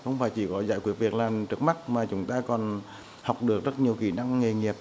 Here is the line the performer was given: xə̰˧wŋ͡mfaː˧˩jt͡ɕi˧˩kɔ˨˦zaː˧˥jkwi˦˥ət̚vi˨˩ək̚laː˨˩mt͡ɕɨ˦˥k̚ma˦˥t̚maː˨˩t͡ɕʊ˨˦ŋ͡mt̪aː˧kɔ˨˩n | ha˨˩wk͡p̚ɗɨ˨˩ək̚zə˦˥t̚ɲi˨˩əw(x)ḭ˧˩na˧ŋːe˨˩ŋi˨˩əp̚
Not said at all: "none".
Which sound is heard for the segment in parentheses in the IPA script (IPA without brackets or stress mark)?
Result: x